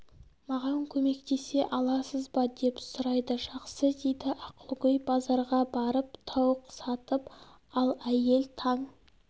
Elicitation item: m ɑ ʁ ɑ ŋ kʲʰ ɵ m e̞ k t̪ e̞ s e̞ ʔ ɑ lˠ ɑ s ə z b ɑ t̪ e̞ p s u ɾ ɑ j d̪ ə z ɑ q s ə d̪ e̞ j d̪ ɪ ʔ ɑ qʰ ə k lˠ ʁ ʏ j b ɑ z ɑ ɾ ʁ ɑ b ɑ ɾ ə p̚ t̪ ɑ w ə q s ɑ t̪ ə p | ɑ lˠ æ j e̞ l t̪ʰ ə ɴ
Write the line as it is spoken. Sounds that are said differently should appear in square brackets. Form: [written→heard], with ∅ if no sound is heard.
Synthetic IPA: m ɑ ʁ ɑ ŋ kʲʰ ɵ m e̞ k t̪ e̞ s e̞ ʔ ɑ lˠ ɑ s ə z b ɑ [t̪→d̪] e̞ p s [u→ʊ] ɾ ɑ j d̪ ə [z→ʒ] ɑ q s ə d̪ e̞ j d̪ ɪ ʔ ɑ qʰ ə [k→∅] lˠ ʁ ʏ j b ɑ z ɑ ɾ ʁ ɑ b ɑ ɾ ə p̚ [t̪→t̪ʰ] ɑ w ə q s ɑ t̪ ə p | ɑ lˠ æ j e̞ l t̪ʰ [ə→ɑ] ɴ